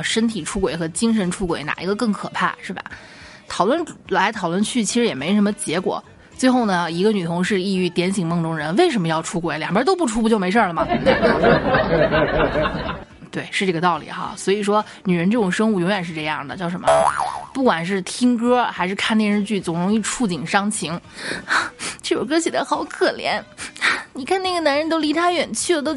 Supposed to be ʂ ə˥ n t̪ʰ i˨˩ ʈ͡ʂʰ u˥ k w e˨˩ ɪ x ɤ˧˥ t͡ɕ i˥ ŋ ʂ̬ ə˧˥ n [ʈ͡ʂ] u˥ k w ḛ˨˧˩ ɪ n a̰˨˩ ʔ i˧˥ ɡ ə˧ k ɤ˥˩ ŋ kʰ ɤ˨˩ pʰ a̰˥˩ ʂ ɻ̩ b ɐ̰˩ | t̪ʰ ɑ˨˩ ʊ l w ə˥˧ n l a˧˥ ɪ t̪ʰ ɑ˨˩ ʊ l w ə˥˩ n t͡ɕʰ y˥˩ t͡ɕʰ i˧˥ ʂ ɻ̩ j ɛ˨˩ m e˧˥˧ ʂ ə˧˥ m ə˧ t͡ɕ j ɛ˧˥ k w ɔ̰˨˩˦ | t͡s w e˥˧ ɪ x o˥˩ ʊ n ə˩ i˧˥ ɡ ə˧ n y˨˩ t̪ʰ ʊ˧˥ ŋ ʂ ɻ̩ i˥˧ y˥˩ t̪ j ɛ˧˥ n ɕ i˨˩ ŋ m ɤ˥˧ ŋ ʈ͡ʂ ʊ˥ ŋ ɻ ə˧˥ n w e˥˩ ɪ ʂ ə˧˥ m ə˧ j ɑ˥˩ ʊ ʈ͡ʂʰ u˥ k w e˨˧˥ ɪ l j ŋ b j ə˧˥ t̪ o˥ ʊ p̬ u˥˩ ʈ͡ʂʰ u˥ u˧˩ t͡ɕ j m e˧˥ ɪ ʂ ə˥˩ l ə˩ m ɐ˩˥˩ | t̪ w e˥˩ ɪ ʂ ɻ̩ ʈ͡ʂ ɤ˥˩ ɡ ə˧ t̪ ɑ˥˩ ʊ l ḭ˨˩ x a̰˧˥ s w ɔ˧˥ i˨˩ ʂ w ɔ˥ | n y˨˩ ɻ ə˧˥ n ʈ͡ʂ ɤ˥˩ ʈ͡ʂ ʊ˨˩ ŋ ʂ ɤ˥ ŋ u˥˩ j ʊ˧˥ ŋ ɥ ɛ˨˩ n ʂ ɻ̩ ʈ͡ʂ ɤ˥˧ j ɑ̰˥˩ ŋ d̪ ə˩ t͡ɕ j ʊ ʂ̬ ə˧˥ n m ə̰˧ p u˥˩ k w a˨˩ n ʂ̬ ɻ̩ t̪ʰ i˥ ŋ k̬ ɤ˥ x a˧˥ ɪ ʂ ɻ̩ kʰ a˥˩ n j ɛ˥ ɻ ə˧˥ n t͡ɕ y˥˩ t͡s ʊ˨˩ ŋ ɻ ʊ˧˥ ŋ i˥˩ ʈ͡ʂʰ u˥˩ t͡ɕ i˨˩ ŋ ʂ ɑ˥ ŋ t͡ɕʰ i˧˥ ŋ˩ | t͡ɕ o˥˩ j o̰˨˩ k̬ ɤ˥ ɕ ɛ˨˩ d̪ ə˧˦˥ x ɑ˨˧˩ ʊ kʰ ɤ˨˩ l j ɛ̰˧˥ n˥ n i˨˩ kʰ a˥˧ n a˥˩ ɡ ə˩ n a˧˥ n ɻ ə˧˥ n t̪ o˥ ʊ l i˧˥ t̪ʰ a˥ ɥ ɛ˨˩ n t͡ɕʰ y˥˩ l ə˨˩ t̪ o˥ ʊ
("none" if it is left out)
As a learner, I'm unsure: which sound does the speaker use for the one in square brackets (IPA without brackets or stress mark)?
ʈ͡ʂʰ